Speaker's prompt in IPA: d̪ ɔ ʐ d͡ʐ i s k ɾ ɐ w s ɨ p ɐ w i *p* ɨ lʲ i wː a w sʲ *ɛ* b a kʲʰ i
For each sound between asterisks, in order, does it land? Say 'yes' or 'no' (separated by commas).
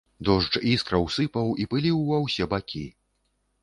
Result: yes, yes